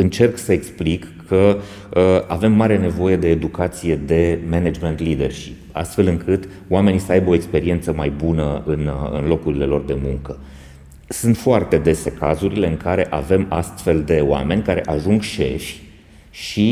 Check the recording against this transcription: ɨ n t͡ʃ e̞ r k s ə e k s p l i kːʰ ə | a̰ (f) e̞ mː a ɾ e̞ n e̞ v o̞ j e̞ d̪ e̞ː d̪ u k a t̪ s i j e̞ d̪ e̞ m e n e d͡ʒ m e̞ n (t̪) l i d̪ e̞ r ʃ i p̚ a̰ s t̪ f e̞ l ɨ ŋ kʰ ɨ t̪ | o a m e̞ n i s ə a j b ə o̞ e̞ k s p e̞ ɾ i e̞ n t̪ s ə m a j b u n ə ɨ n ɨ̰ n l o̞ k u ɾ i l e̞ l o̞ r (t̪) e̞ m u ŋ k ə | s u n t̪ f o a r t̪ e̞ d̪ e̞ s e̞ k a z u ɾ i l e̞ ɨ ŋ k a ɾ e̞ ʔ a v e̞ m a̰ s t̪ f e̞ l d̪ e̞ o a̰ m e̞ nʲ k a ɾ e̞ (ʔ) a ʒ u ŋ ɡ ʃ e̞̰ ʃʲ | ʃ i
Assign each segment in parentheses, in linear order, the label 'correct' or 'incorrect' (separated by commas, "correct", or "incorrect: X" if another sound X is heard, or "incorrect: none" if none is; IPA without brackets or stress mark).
incorrect: v, correct, incorrect: d̪, correct